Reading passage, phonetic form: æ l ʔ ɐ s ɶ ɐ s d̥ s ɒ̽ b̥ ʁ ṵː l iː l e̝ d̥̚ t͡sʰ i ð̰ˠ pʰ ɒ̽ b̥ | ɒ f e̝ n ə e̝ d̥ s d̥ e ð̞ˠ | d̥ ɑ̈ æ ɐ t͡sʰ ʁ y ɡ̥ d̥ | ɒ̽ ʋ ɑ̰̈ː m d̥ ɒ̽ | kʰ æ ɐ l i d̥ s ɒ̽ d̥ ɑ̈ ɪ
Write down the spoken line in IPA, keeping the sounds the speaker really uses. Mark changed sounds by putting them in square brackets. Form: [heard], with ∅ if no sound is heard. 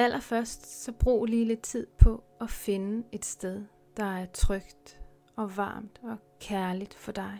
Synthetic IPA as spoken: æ l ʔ ɐ [f] ɶ ɐ s d̥ s ɒ̽ b̥ ʁ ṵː l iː l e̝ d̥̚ t͡sʰ i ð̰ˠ pʰ ɒ̽ [∅] | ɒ f e̝ n ə e̝ d̥ s d̥ e ð̞ˠ | d̥ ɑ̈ æ ɐ t͡sʰ ʁ [œ] ɡ̥ d̥ | ɒ̽ ʋ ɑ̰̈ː m d̥ ɒ̽ | kʰ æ ɐ l i d̥ [f] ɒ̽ d̥ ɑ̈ ɪ